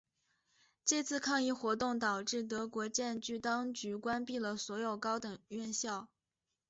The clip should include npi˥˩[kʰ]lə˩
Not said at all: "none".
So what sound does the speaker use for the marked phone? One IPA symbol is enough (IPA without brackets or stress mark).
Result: none